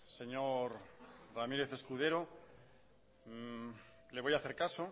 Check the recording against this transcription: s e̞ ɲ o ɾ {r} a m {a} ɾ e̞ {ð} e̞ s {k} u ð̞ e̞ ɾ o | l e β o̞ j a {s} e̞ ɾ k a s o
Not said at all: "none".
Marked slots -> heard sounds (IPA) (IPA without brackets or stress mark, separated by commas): r, i, θ, k, θ